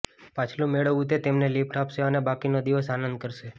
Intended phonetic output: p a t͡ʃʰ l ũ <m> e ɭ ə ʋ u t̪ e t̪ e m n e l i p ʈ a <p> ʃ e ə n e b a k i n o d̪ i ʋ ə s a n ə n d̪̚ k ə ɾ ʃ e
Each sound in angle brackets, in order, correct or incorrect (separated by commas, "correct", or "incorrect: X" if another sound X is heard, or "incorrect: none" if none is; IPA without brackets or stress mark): correct, correct